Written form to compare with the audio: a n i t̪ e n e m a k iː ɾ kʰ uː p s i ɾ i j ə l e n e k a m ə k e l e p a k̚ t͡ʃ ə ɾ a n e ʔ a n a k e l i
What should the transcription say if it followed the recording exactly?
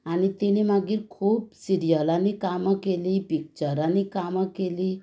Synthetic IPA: a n i t̪ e n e m a ɡ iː ɾ kʰ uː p s i ɾ i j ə l a n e k a m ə k e l i p i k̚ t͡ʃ ə ɾ a n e k a m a k e l i